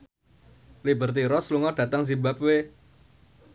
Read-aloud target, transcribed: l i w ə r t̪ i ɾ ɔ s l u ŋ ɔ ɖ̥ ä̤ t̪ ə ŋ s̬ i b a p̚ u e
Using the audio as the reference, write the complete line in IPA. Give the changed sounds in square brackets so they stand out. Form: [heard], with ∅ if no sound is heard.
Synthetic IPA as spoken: l i [b] ə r t̪ i ɾ ɔ s l u ŋ ɔ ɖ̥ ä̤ t̪ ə ŋ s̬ i b a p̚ [w] e